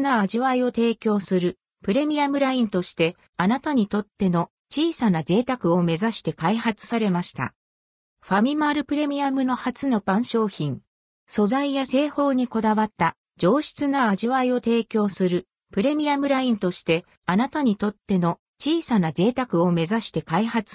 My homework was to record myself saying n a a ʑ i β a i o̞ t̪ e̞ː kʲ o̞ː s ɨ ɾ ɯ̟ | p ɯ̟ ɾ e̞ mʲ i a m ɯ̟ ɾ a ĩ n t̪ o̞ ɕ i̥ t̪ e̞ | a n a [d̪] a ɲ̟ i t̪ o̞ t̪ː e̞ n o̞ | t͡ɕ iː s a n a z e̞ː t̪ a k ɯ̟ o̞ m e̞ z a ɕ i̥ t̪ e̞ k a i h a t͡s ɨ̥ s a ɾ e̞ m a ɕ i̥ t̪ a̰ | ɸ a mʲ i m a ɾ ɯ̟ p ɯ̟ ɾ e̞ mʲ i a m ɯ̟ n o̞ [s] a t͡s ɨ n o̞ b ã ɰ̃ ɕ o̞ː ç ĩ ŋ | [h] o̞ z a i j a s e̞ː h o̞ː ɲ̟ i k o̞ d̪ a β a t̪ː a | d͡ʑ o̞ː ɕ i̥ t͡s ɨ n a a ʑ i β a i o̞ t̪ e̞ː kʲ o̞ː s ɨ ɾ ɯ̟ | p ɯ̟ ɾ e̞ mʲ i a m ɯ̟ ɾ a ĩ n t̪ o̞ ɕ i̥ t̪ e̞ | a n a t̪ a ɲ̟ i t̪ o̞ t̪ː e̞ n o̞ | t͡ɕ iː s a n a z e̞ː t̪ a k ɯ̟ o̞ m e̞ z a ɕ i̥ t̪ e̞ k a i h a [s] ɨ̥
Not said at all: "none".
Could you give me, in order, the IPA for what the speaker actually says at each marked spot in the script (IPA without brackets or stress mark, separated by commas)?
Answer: t̪, h, s, t͡s